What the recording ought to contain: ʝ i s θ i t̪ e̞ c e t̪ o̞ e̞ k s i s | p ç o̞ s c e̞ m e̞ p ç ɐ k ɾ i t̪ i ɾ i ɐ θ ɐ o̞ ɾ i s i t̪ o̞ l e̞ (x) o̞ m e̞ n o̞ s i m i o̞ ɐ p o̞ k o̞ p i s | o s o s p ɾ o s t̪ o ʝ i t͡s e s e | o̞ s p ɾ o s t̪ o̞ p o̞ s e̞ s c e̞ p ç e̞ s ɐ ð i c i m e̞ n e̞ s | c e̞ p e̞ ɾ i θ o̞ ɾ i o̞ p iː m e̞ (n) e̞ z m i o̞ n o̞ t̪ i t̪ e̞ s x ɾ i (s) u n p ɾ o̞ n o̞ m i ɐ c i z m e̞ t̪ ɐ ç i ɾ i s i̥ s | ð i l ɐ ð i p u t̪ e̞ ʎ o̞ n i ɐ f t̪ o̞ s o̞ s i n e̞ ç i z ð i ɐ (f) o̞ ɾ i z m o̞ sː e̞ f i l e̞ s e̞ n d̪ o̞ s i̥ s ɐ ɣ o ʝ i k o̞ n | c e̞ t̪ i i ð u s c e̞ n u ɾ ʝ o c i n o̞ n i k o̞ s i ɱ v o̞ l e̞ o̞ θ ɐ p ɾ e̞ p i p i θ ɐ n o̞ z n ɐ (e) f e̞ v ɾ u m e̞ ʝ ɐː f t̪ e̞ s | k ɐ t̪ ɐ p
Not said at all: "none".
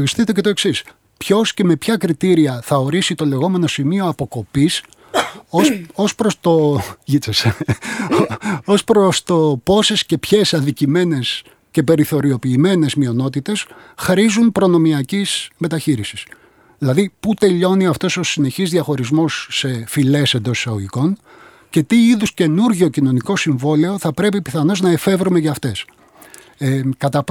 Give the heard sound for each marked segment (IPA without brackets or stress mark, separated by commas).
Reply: ɣ, n, z, x, e